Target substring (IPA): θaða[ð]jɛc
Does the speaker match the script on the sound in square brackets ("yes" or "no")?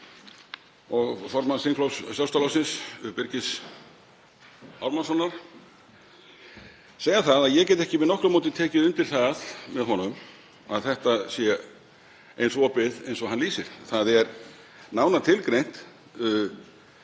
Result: yes